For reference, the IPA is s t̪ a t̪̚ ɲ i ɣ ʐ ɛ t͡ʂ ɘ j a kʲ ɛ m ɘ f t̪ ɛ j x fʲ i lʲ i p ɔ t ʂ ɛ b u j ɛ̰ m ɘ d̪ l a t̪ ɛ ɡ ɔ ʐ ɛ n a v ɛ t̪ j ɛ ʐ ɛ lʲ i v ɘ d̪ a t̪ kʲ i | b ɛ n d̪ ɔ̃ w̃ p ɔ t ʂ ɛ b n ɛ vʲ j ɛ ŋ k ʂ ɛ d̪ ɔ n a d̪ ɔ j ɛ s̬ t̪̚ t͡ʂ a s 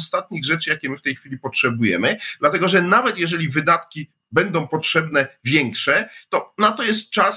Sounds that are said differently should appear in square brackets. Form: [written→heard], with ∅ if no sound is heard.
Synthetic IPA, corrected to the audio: s t̪ a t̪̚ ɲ i ɣ ʐ ɛ t͡ʂ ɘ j a kʲ ɛ m ɘ f t̪ ɛ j x fʲ i lʲ i p ɔ t ʂ ɛ b u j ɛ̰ m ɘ d̪ l a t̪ ɛ ɡ ɔ ʐ ɛ n a v ɛ t̪ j ɛ ʐ ɛ lʲ i v ɘ d̪ a t̪ kʲ i | b ɛ n d̪ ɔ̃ w̃ p ɔ t ʂ ɛ b n ɛ vʲ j ɛ ŋ k ʂ ɛ [d̪→t̪] ɔ n a [d̪→t̪] ɔ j ɛ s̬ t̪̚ t͡ʂ a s